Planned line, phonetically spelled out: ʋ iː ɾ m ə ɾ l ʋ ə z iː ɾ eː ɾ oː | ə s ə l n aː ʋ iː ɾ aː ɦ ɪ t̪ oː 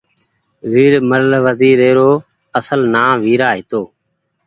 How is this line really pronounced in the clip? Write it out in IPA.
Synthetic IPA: ʋ iː ɾ m ə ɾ l ʋ ə z iː ɾ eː ɾ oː | ə s ə l n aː ʋ iː ɾ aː ɦ ɪ t̪ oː